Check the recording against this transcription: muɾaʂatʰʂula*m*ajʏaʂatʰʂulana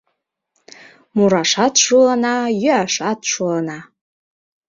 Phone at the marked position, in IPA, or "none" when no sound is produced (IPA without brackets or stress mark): n